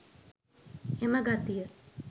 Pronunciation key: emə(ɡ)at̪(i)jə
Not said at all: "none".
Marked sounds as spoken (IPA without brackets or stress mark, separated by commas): ɡ, i